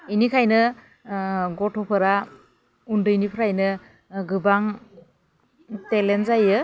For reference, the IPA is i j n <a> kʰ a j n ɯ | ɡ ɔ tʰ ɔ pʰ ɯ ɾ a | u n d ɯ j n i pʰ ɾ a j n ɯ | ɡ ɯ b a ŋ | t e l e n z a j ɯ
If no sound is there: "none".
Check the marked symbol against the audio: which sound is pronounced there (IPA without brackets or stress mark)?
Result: i